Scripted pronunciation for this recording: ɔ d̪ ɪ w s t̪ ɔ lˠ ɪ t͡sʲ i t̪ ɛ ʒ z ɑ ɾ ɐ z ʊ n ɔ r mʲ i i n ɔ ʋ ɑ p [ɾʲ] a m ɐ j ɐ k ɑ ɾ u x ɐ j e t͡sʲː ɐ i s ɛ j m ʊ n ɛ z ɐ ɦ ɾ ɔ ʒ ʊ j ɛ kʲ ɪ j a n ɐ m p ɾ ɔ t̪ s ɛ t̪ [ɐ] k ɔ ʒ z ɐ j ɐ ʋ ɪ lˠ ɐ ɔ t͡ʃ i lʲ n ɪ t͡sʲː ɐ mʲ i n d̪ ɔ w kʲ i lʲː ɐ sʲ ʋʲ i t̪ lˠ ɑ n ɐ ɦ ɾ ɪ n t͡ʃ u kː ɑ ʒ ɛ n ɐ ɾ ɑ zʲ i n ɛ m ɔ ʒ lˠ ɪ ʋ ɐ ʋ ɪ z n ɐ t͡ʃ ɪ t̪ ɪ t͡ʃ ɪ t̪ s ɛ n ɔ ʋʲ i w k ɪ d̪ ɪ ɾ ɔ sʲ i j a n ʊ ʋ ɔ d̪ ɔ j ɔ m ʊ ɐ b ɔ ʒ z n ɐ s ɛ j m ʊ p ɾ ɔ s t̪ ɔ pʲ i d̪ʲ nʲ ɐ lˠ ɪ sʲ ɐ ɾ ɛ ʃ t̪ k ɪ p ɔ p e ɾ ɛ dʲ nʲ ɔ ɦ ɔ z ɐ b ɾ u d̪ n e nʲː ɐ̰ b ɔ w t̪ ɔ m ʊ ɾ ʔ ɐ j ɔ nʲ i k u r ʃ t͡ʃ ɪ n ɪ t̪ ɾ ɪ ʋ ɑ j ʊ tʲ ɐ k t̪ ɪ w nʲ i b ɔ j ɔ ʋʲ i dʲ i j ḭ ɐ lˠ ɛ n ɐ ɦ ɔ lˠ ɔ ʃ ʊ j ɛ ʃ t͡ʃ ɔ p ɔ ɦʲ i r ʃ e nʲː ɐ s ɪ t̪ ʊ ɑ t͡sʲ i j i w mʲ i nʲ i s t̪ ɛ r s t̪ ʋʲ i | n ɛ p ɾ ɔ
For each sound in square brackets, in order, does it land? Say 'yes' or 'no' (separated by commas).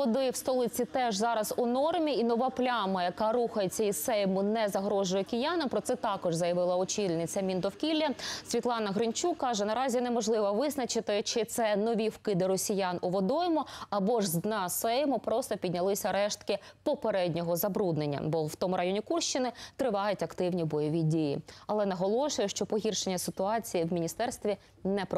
no, no